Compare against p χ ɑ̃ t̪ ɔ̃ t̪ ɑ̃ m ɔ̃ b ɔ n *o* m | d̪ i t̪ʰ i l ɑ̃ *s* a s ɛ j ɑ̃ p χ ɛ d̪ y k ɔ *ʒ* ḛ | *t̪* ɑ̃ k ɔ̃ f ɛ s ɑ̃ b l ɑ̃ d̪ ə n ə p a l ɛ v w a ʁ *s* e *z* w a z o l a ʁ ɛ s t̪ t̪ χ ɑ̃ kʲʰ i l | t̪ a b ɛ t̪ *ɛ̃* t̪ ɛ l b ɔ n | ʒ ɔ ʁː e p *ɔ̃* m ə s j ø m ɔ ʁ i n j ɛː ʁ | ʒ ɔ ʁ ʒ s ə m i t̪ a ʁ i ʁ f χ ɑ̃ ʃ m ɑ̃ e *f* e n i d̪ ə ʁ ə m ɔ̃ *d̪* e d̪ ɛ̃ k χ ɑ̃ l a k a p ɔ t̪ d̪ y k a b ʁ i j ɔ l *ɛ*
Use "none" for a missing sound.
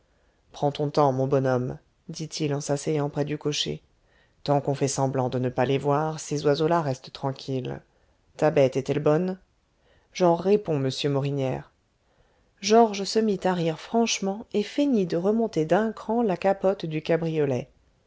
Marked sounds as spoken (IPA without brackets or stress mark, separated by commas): ɔ, s, ʃ, t̪, s, z, ɛ, ɔ̃, f, t̪, ɛ